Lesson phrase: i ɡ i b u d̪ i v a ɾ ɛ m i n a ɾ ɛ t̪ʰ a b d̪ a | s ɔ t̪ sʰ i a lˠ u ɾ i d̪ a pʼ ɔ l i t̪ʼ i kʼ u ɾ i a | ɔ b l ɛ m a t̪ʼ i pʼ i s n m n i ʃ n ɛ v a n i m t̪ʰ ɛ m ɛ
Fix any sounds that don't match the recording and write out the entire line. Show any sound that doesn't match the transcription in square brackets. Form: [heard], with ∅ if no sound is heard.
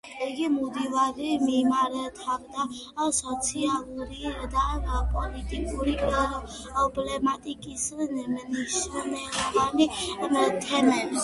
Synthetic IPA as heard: i ɡ i [m] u d̪ i v a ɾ [i] m i [m] a ɾ ɛ t̪ʰ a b d̪ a | s ɔ t̪ sʰ i a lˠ u ɾ i d̪ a pʼ ɔ l i t̪ʼ i kʼ u ɾ i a | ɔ b l ɛ m a t̪ʼ i [kʼ] i s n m n i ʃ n ɛ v a n i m t̪ʰ ɛ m ɛ

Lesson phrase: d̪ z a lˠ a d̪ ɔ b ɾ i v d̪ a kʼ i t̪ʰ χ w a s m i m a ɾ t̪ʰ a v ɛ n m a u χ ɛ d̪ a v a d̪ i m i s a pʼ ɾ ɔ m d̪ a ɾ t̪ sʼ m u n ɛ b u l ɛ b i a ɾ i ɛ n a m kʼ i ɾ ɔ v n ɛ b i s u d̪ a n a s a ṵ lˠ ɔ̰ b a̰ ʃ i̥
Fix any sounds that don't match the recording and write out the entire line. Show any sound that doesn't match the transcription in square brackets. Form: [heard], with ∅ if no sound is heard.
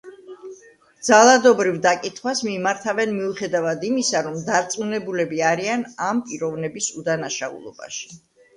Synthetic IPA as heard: d̪ z a lˠ a d̪ ɔ b ɾ i v d̪ a kʼ i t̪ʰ χ w a s m i m a ɾ t̪ʰ a v ɛ n m [i] u χ ɛ d̪ a v a d̪ i m i s a [∅] ɾ ɔ m d̪ a ɾ t̪ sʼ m u n ɛ b u l ɛ b i a ɾ i [a] n a m [pʼ] i ɾ ɔ v n ɛ b i s u d̪ a n a [ʃ] a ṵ lˠ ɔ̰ b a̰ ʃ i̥

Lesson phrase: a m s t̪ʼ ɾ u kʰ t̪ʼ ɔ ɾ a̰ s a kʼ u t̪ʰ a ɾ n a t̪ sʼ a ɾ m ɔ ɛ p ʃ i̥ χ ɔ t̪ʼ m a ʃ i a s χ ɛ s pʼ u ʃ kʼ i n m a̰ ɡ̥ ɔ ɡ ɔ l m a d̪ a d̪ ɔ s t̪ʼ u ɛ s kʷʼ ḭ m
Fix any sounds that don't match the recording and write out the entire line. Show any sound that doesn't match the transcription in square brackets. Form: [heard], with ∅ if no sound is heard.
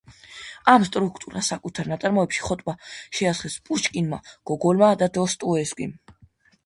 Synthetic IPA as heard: a m s t̪ʼ ɾ u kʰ t̪ʼ [u] ɾ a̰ s a kʼ u t̪ʰ a ɾ n a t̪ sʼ a ɾ m ɔ ɛ p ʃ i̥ χ ɔ t̪ʼ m a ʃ [ɛ] a s χ ɛ s pʼ u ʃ kʼ i n m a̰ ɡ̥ ɔ ɡ ɔ l m a d̪ a d̪ ɔ s t̪ʼ u ɛ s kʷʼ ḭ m

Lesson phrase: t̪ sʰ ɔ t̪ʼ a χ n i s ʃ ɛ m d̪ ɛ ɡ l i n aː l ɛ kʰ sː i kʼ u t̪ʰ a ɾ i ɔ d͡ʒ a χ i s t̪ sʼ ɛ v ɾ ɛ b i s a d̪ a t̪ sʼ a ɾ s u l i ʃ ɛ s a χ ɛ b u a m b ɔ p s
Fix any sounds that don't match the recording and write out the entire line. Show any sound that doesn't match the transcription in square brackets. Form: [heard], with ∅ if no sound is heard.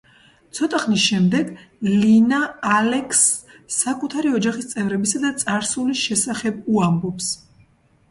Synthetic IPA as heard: t̪ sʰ ɔ t̪ʼ a χ n i s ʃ ɛ m d̪ ɛ ɡ l i n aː l ɛ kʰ sː [a] kʼ u t̪ʰ a ɾ i ɔ d͡ʒ a χ i s t̪ sʼ ɛ v ɾ ɛ b i s a d̪ a t̪ sʼ a ɾ s u l i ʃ ɛ s a χ ɛ b u a m b ɔ p s

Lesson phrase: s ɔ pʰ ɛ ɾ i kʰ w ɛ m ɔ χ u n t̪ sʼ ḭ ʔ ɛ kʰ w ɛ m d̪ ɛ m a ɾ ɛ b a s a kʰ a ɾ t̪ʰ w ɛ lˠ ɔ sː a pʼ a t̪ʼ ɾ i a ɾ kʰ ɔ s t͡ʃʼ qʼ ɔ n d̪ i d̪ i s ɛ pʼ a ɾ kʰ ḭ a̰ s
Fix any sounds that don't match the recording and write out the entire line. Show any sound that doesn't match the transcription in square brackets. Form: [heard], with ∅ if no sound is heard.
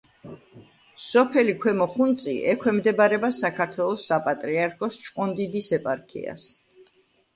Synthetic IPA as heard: s ɔ pʰ ɛ [l] i kʰ w ɛ m ɔ χ u n t̪ sʼ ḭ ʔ ɛ kʰ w ɛ m d̪ ɛ [b] a ɾ ɛ b a s a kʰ a ɾ t̪ʰ w ɛ lˠ ɔ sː a pʼ a t̪ʼ ɾ i a ɾ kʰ ɔ s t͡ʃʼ qʼ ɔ n d̪ i d̪ i s ɛ pʼ a ɾ kʰ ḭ a̰ s

